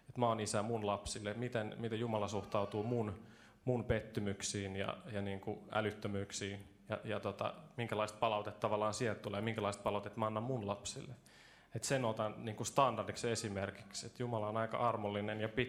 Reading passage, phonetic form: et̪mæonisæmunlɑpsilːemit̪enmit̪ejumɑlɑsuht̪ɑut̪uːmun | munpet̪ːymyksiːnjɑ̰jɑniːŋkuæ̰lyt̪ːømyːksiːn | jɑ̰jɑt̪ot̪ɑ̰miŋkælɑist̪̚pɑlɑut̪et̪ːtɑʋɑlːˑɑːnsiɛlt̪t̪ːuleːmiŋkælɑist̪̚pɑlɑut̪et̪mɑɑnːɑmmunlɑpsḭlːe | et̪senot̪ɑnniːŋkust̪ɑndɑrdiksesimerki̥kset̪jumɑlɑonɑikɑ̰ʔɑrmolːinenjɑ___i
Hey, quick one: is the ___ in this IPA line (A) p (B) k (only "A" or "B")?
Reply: A